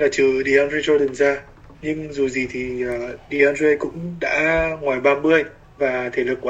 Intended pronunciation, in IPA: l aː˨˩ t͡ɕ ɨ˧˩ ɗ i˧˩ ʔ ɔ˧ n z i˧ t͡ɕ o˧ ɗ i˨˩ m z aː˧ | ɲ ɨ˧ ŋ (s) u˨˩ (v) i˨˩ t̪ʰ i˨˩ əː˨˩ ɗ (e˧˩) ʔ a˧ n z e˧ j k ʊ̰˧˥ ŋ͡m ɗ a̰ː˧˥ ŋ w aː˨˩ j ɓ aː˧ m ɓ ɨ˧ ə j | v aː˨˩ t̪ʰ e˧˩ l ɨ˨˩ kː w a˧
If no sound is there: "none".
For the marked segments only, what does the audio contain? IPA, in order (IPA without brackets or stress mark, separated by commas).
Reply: z, z, i˧˩